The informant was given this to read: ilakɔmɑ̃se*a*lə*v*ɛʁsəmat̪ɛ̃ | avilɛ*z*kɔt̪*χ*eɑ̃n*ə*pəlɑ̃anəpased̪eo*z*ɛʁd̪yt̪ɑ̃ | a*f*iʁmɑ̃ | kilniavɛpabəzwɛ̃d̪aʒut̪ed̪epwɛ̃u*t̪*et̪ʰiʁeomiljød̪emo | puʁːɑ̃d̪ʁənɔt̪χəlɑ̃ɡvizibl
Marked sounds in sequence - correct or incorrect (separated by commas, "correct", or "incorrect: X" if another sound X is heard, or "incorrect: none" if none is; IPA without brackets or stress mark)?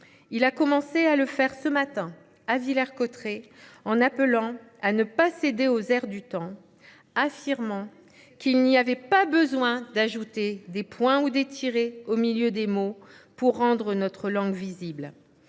correct, incorrect: f, incorrect: ʁ, correct, incorrect: a, correct, correct, incorrect: d̪